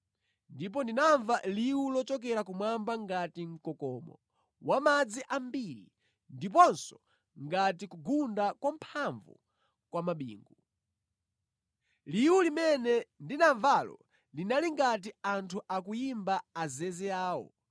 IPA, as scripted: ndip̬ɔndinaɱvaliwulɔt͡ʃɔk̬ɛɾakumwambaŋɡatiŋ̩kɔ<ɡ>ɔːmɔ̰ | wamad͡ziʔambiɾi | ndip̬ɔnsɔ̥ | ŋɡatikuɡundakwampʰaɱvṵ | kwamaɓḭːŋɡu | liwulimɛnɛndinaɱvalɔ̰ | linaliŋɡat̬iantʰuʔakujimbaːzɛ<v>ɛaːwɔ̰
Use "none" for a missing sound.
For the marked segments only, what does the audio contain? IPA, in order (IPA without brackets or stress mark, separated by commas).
k, z